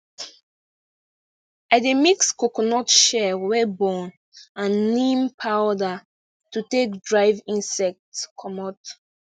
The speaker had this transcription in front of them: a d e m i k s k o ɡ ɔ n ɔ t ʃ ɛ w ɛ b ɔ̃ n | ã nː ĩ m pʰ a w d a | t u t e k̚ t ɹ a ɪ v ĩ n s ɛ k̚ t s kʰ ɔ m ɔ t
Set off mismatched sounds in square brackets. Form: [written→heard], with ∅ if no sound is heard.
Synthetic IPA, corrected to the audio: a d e m i k s k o [ɡ→k] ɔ n ɔ t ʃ ɛ w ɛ b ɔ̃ n | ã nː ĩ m pʰ a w d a | t u t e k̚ [t→d] ɹ a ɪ v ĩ n s ɛ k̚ t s kʰ ɔ m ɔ t